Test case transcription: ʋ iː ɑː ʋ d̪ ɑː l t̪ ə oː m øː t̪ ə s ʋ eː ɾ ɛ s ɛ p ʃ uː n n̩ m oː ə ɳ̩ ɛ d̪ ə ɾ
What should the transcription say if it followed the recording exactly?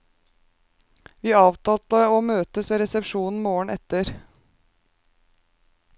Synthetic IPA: ʋ iː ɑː ʋ t̪ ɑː l t̪ ə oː m øː t̪ ə s ʋ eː ɾ ɛ s ɛ p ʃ uː n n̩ m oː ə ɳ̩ ɛ t̪ ə ɾ